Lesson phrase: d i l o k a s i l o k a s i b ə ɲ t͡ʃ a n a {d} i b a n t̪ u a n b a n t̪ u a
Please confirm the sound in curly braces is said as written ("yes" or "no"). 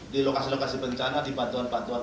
yes